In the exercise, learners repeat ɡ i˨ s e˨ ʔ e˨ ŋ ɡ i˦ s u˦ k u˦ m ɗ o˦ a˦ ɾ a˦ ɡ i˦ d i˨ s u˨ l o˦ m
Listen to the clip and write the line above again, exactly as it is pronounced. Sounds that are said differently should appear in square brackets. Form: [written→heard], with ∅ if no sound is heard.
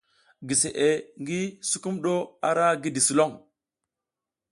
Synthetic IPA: ɡ i˨ s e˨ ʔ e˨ ŋ ɡ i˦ s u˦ k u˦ m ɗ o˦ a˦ ɾ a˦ ɡ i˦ d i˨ s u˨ l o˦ [m→ŋ]